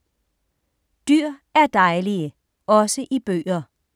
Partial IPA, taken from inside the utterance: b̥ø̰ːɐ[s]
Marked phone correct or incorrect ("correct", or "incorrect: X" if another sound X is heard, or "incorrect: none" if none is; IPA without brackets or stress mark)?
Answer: incorrect: none